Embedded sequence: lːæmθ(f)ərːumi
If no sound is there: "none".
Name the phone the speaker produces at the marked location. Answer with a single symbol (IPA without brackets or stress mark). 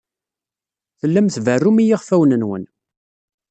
v